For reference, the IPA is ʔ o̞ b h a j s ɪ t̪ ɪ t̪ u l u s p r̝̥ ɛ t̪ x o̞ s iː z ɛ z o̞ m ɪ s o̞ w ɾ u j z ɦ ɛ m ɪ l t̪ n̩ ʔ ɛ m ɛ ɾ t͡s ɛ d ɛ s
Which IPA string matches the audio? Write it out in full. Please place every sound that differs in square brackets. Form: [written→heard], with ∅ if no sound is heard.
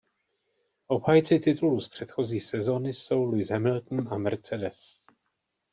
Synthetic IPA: ʔ o̞ b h a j [s→t͡s] ɪ t̪ ɪ t̪ u l u s p r̝̥ ɛ t̪ x o̞ [s→z] iː [z→s] ɛ z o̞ [m→n] ɪ s o̞ w [ɾ→l] u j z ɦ ɛ m ɪ l t̪ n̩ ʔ [ɛ→a] m ɛ ɾ t͡s ɛ d ɛ s